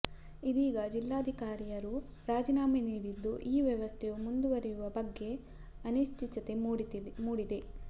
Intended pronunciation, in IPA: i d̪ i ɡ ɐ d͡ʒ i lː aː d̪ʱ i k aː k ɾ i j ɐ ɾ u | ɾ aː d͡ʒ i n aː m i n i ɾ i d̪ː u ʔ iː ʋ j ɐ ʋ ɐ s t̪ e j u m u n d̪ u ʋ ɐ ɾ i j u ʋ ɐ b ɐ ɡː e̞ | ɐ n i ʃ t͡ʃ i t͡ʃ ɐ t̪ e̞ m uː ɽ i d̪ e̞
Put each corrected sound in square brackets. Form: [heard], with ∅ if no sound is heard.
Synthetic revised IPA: i d̪ [iː] ɡ ɐ d͡ʒ i lː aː d̪ʱ i k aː [∅] ɾ i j ɐ ɾ u | ɾ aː d͡ʒ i n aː m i n [iː] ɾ i d̪ː u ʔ iː ʋ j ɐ ʋ ɐ s [t̪ʰ] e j u m u n d̪ u ʋ ɐ ɾ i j u ʋ ɐ b ɐ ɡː e̞ | ɐ n i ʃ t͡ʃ i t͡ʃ ɐ t̪ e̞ m uː ɽ i d̪ e̞